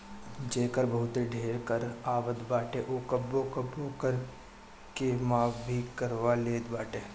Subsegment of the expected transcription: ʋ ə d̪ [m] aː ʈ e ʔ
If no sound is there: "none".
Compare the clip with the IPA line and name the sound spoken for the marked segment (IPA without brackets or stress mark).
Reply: b